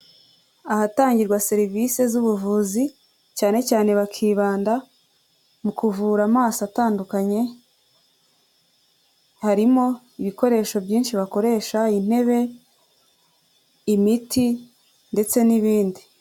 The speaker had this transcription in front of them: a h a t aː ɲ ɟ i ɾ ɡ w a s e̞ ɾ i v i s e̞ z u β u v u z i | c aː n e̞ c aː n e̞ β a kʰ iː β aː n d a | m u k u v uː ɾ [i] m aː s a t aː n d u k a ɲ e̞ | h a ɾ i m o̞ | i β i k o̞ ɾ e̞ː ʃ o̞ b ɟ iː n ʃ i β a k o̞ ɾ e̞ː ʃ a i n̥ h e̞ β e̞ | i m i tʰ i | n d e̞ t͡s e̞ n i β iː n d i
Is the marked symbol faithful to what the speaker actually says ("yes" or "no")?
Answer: no